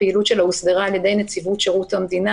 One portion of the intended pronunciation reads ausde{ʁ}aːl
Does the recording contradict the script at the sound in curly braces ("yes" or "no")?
no